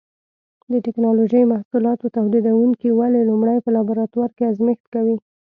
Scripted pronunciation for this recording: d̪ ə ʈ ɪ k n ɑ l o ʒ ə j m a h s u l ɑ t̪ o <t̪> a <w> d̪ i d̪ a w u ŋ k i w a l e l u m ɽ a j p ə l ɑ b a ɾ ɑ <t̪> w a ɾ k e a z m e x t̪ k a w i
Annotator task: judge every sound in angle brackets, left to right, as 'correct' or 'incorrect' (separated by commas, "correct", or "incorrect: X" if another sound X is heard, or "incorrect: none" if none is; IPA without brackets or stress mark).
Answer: correct, correct, correct